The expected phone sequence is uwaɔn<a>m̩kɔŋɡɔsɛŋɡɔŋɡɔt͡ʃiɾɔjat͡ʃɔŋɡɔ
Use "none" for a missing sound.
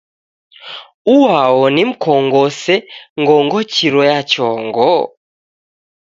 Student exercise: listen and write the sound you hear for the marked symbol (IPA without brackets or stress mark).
i